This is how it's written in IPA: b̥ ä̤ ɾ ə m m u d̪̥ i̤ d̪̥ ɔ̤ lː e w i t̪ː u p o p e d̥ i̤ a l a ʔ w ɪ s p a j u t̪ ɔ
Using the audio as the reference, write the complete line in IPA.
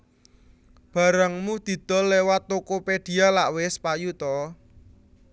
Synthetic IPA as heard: b̥ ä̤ ɾ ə ŋ m u d̪̥ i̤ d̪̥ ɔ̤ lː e w a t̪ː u k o p e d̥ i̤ a l a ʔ w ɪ s p a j u t̪ ɔ